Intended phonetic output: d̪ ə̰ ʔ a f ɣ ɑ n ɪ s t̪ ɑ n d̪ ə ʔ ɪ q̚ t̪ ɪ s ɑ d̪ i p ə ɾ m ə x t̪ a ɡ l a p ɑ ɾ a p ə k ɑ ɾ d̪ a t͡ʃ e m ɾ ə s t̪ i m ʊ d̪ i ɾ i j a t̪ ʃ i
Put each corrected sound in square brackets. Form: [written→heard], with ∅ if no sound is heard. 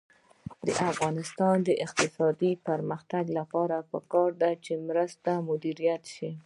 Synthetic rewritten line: d̪ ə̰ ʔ a f ɣ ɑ n ɪ s t̪ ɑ n d̪ ə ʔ ɪ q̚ t̪ ɪ s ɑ d̪ i p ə ɾ m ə x t̪ a ɡ l a p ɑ ɾ a p ə k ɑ ɾ d̪ a t͡ʃ e m ɾ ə s t̪ [i→a] m ʊ d̪ i ɾ i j a t̪ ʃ i